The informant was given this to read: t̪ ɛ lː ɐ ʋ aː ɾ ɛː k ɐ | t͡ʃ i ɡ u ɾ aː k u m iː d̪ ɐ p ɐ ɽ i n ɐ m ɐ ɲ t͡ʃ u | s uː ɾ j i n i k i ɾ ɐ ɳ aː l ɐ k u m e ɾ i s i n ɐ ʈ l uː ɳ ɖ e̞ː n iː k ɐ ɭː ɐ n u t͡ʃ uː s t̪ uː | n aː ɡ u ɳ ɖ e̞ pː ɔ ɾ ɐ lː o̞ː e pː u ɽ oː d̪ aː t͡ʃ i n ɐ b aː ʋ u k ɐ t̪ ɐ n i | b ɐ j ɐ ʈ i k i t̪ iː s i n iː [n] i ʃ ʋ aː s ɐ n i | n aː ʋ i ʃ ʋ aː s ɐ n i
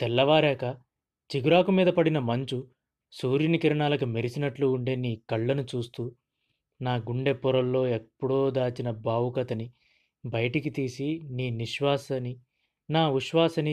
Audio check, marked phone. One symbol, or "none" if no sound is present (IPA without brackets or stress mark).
n